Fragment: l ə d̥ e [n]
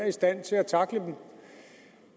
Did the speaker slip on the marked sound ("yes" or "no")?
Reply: yes